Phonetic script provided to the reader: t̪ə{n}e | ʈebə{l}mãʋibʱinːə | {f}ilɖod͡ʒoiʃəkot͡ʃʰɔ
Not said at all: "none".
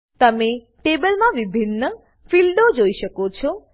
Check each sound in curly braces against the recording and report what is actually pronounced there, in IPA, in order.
m, l, f

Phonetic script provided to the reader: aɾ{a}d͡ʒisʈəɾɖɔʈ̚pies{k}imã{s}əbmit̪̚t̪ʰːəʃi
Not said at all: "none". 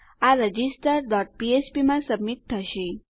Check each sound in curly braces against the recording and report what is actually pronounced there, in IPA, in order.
ə, p, s

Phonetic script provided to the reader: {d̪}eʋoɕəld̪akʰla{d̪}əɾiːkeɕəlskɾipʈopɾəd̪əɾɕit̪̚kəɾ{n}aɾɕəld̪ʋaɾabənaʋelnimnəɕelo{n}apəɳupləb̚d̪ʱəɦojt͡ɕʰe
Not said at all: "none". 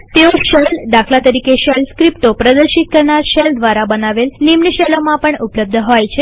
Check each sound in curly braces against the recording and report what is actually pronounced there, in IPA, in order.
t̪, t̪, ɳ, m

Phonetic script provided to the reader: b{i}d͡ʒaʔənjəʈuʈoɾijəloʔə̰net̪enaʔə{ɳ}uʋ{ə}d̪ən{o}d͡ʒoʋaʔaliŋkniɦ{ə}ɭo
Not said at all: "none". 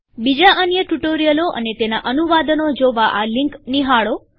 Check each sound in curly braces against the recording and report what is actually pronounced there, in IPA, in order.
i, n, a, o, a

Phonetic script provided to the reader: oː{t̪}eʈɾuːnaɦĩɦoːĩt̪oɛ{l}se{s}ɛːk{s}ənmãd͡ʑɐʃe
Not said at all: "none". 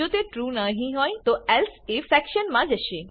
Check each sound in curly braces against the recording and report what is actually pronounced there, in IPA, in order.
t̪, l, f, ʃ

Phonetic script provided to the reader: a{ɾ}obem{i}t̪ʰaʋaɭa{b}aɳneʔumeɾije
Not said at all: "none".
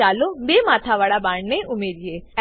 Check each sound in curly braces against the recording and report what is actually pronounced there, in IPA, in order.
l, a, b

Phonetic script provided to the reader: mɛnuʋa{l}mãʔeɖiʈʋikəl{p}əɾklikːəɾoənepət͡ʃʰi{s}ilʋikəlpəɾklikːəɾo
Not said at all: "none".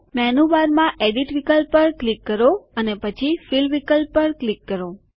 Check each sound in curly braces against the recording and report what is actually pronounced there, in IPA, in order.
ɾ, p, f

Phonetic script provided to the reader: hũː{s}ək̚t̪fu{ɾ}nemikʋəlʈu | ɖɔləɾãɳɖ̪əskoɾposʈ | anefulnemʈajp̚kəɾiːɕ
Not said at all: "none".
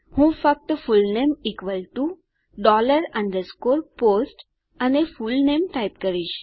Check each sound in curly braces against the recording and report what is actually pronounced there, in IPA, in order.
f, l

